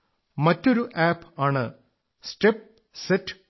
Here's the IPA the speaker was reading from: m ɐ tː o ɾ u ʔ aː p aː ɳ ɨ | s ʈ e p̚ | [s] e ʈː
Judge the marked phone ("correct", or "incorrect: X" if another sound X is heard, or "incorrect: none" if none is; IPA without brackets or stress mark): correct